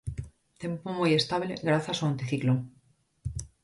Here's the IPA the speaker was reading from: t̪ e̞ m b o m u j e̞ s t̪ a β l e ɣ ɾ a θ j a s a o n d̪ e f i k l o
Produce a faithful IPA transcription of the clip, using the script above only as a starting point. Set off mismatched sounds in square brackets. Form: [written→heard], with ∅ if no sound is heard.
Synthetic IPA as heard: t̪ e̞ m [b→p] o m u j e̞ s t̪ a β l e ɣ ɾ a θ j a s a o n [d̪→t̪] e [f→θ] i k l o